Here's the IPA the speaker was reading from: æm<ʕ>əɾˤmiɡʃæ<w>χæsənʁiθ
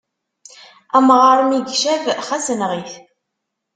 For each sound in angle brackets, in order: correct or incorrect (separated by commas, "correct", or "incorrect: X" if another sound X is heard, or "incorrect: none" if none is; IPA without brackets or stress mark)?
incorrect: ʁ, incorrect: v